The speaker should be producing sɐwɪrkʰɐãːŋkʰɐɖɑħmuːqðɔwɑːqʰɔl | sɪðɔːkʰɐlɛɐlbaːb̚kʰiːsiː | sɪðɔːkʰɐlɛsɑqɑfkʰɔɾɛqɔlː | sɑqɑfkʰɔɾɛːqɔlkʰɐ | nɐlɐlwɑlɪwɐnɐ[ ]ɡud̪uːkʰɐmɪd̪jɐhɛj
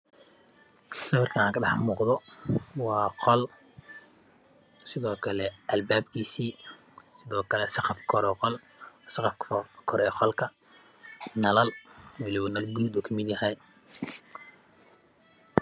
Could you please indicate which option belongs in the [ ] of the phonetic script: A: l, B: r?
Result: A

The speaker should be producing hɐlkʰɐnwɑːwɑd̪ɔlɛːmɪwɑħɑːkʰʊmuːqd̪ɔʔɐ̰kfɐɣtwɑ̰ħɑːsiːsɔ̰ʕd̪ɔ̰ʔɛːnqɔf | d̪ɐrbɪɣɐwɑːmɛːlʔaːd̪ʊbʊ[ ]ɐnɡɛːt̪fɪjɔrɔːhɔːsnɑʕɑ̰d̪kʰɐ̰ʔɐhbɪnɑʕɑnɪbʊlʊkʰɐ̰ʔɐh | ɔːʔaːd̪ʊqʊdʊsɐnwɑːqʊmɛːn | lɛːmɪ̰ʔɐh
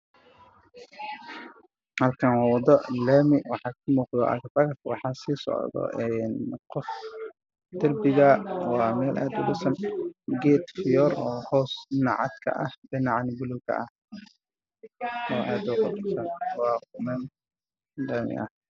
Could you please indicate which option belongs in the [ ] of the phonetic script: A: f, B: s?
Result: B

